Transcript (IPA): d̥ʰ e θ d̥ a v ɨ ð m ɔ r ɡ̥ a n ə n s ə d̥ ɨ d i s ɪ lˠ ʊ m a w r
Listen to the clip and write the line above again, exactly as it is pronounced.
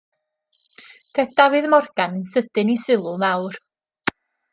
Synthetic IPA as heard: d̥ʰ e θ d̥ a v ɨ ð m ɔ r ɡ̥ a n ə n s ə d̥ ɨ n i s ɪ lˠ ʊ m a w r